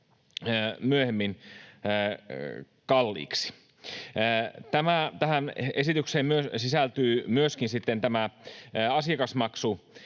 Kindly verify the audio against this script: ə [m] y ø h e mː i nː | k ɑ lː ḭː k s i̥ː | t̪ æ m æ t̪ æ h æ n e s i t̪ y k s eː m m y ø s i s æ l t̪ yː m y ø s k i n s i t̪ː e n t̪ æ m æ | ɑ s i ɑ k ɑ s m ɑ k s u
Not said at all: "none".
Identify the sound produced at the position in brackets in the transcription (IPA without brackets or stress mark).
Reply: m